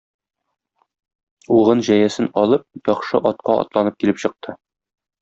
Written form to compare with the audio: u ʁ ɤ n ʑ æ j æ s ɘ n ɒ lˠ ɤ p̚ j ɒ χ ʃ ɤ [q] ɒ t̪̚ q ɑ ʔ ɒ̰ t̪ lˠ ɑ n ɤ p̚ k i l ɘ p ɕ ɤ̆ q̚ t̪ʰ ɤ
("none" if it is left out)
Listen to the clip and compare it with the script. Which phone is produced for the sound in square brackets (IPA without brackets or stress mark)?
ʔ